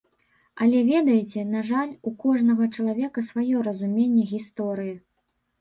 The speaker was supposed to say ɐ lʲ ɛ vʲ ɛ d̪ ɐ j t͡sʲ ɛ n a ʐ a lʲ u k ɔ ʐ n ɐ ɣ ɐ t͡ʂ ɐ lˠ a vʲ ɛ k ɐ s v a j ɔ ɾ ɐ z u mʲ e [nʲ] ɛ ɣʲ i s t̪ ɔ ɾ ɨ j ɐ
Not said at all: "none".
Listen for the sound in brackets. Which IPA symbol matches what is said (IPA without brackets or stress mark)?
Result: nʲː